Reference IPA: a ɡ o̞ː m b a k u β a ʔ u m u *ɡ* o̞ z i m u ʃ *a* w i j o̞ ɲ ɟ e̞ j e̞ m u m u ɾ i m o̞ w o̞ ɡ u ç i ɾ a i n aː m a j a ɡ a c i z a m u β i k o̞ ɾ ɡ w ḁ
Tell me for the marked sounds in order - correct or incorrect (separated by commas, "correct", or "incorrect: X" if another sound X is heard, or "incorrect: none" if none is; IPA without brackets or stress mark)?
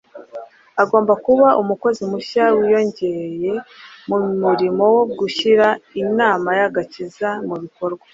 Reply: incorrect: k, correct